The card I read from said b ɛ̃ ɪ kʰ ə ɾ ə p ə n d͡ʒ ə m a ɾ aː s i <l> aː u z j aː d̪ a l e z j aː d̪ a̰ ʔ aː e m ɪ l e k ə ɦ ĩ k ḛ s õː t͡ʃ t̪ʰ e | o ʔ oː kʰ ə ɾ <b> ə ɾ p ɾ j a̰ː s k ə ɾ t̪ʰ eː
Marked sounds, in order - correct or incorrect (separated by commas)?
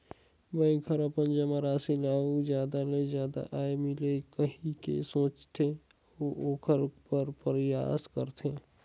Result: correct, incorrect